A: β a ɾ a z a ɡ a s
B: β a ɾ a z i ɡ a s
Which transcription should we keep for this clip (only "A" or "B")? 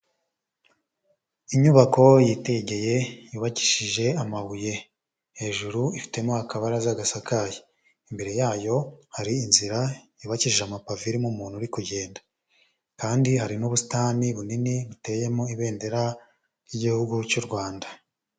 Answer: A